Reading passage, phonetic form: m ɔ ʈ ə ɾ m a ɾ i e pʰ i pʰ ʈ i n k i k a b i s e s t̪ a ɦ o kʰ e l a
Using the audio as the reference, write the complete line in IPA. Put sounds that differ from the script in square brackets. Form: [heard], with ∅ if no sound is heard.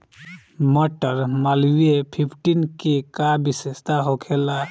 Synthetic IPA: m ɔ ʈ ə ɾ m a [l] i e pʰ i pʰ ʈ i n k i k a b i s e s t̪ a ɦ o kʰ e l a